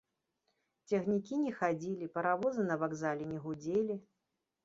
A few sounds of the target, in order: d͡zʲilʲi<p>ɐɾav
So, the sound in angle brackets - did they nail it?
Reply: yes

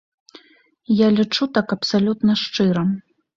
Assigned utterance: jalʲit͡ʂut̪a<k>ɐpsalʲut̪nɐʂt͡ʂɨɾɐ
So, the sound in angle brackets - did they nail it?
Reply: yes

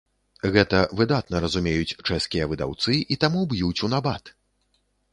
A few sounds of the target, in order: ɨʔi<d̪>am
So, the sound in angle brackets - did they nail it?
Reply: no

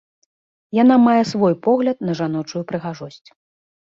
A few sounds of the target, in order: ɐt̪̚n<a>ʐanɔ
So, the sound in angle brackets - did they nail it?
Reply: no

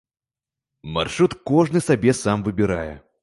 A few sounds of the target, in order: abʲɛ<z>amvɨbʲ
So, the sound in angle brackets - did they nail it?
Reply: no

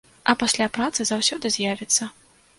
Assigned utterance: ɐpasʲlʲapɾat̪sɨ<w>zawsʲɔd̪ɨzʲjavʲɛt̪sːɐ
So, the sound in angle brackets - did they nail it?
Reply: no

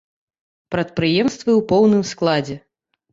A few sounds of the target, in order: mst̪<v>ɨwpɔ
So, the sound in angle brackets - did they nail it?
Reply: yes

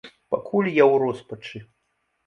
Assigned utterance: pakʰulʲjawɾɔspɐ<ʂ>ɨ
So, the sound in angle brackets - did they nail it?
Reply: no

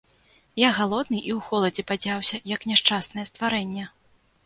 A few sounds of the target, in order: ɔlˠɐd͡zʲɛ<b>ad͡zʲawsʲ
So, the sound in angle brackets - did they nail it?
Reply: no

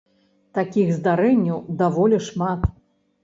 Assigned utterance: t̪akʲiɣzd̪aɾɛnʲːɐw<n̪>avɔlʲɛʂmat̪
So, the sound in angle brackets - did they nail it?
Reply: no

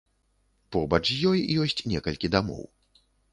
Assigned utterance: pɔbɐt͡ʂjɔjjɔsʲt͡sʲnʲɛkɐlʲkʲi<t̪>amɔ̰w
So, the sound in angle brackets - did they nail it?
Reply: no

